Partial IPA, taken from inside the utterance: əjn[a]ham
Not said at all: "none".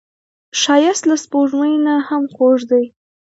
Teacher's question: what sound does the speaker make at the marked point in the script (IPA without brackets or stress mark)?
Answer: a